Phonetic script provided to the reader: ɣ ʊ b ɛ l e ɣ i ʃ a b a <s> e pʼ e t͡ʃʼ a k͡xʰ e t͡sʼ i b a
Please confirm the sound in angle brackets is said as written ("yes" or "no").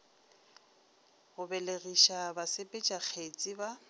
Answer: yes